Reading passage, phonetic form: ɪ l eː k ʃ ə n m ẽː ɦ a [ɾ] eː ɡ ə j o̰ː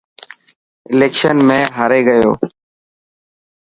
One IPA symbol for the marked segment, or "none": ɾ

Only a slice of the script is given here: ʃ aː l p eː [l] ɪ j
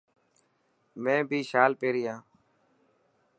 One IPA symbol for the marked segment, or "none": ɾ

